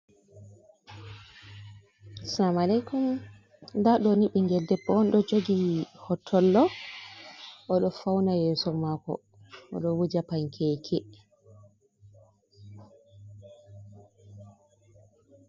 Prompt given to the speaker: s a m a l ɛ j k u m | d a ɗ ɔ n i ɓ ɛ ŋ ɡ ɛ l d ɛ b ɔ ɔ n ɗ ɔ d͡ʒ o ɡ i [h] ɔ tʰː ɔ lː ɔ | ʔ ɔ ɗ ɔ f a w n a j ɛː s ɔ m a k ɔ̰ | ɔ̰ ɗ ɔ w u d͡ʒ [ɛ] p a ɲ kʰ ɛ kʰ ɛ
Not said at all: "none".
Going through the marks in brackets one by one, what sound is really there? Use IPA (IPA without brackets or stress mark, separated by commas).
h, a